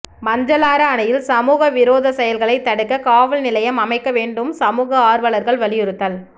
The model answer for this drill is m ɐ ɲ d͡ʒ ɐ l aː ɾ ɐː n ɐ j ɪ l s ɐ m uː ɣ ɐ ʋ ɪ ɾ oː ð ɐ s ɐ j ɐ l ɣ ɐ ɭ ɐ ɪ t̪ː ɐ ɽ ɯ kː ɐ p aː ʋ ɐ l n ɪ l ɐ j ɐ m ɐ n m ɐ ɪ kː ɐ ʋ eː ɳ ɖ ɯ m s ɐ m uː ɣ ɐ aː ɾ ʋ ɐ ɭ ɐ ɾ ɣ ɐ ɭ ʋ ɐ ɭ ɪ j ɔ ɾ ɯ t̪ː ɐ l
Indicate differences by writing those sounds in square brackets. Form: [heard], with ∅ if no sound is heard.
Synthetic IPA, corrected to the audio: m ɐ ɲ d͡ʒ ɐ l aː ɾ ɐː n ɐ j ɪ l s ɐ m uː ɣ ɐ ʋ ɪ ɾ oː ð ɐ s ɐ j ɐ l ɣ ɐ ɭ ɐ ɪ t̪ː ɐ ɽ ɯ kː ɐ [k] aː ʋ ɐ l n ɪ l ɐ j ɐ m ɐ [∅] m ɐ ɪ kː ɐ ʋ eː ɳ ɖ ɯ m s ɐ m uː ɣ ɐ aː ɾ ʋ ɐ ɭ ɐ ɾ ɣ ɐ ɭ ʋ ɐ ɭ ɪ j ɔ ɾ ɯ t̪ː ɐ l